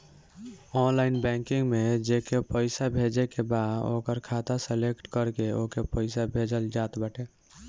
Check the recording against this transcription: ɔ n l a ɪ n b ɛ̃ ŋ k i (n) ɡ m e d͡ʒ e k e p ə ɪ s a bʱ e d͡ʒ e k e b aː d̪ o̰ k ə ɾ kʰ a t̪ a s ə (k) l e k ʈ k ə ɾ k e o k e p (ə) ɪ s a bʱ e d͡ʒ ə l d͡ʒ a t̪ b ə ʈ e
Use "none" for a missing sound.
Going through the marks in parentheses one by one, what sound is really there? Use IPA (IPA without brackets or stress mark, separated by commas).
ŋ, none, ə